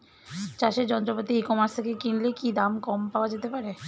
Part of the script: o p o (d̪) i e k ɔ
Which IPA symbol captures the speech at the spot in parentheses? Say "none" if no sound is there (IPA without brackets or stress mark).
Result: t̪